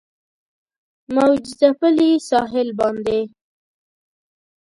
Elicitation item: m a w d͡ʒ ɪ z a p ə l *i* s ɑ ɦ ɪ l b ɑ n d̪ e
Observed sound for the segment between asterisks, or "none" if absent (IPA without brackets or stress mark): i